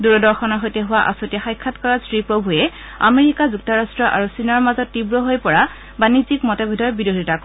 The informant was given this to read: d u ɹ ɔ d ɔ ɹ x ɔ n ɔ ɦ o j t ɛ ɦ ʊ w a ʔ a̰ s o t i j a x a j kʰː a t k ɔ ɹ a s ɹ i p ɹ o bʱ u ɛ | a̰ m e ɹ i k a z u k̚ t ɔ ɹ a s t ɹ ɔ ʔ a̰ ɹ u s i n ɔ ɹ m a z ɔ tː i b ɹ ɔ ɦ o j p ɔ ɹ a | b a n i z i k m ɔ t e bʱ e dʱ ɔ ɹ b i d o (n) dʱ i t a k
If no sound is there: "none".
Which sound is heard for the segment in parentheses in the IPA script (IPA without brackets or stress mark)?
none